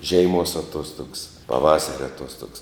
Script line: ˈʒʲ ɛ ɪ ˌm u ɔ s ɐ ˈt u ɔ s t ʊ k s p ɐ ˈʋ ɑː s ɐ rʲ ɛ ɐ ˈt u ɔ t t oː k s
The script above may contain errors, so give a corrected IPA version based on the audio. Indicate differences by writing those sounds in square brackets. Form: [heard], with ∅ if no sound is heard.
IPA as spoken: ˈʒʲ ɛ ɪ ˌm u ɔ s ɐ ˈt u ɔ s t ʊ k s p ɐ ˈʋ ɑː s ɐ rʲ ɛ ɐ ˈt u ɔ [s] t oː k s